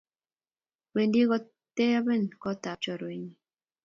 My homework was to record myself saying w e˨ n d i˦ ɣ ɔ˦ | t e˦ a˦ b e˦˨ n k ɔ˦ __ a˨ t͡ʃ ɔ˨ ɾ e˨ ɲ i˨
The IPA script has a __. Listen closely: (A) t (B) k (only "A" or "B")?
A